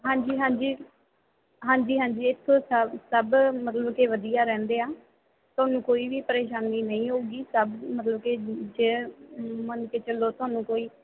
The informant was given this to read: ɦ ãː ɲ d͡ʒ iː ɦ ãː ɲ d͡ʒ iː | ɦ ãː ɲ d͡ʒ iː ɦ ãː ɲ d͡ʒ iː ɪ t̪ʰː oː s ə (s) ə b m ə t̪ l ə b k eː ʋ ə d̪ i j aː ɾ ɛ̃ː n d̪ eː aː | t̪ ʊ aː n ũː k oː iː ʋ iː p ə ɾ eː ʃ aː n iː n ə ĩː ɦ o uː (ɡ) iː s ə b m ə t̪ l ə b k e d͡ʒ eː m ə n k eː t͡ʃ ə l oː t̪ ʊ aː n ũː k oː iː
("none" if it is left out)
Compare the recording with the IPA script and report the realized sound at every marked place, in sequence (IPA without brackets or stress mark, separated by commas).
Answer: s, ɡ